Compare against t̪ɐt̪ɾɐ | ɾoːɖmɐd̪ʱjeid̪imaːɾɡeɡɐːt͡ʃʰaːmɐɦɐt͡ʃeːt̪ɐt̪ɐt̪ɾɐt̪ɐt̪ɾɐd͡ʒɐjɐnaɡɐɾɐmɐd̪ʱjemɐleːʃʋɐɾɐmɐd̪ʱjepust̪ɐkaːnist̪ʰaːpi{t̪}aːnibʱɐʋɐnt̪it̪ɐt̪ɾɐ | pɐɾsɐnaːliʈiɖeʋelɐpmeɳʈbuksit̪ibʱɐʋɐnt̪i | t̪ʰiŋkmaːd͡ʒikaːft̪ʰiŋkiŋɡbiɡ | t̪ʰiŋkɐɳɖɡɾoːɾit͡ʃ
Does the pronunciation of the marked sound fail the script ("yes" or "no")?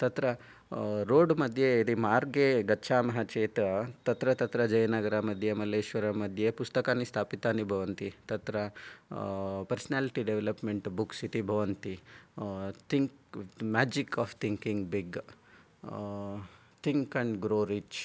no